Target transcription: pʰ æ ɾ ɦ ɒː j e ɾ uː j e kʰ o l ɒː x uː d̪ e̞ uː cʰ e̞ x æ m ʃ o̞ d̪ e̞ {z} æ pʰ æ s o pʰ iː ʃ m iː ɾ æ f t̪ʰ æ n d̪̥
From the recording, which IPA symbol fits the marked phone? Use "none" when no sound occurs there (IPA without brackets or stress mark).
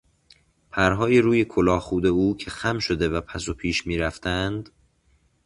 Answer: v